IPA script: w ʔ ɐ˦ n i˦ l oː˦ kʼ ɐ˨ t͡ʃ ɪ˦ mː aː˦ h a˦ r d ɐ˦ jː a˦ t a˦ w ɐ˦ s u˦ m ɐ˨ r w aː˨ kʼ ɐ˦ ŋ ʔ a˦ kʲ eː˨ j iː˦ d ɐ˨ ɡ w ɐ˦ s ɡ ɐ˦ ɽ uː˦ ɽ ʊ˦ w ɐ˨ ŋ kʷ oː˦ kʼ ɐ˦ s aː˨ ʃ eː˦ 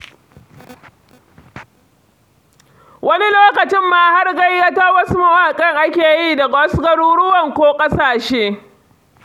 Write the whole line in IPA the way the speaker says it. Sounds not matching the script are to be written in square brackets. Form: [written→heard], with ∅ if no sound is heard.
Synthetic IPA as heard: w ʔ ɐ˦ n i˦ l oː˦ [kʼ→k] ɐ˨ t͡ʃ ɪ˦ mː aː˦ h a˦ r [d→ɡ] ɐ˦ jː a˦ t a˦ w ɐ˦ s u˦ m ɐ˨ [r→∅] w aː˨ kʼ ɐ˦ ŋ ʔ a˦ kʲ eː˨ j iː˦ d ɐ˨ ɡ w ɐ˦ s ɡ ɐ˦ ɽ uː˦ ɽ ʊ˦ w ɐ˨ ŋ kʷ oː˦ kʼ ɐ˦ s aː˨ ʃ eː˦